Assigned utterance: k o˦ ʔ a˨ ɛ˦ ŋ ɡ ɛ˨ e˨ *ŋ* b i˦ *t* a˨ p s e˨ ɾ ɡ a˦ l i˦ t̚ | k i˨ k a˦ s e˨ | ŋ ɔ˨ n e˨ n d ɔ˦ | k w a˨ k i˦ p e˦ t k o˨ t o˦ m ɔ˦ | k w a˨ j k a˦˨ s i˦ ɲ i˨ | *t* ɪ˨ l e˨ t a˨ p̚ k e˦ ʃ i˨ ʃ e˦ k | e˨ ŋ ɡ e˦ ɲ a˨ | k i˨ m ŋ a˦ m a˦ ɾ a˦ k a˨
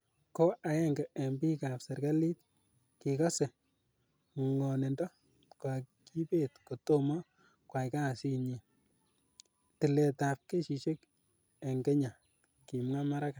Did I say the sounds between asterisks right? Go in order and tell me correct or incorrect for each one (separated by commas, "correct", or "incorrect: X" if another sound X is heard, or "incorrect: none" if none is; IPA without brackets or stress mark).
incorrect: m, incorrect: k, correct